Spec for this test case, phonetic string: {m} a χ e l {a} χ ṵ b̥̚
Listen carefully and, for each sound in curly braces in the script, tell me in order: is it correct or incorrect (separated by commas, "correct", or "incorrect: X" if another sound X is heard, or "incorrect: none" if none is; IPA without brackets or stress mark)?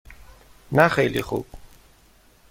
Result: incorrect: n, incorrect: i